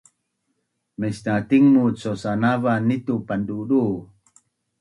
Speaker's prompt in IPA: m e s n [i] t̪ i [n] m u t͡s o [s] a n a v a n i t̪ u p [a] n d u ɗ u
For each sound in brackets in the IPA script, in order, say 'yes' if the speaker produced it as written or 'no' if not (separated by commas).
no, no, yes, yes